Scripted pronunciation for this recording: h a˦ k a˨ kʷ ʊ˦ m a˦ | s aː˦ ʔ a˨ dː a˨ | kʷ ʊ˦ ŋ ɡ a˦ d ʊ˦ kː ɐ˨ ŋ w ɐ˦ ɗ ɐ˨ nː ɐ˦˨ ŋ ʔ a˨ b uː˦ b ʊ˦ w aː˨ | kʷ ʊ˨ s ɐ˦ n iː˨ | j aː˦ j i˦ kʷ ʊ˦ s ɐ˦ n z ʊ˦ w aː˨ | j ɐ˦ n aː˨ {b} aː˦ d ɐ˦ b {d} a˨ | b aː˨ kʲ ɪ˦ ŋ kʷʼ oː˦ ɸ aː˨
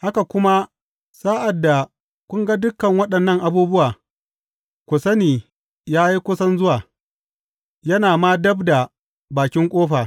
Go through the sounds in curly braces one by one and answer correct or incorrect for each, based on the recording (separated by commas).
incorrect, correct